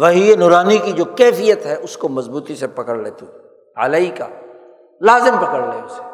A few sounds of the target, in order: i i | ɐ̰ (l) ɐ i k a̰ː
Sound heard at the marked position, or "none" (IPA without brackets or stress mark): l